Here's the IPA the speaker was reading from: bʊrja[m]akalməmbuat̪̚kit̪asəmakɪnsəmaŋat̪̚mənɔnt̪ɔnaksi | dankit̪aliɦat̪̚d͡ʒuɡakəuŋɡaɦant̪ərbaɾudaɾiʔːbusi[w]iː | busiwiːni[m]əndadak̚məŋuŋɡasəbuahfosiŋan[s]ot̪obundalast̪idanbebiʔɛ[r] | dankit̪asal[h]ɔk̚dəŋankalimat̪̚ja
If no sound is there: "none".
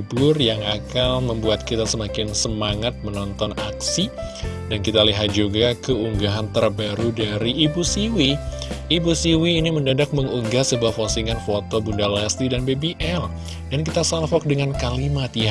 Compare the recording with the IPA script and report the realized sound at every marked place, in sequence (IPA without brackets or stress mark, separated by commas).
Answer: ŋ, w, m, f, l, f